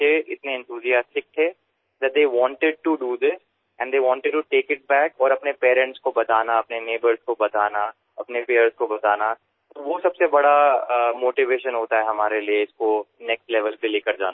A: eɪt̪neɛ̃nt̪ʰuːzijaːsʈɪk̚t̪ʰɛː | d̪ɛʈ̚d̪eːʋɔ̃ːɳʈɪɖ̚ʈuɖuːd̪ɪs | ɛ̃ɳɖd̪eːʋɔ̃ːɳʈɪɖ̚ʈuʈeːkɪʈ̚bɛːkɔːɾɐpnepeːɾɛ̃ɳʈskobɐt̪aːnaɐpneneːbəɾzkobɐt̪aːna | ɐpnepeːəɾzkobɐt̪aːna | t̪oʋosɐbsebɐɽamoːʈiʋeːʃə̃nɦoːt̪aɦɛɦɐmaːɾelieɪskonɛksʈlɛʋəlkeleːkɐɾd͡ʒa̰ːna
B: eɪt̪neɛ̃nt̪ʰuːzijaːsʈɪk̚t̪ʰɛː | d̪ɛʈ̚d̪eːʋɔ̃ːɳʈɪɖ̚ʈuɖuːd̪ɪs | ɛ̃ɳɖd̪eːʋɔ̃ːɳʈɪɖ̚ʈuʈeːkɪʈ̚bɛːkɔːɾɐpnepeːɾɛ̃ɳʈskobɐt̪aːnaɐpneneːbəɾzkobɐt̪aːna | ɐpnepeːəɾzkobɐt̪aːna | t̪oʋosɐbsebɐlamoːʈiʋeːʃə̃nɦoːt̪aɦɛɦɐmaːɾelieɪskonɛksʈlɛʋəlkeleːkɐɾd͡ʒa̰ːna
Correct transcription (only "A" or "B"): A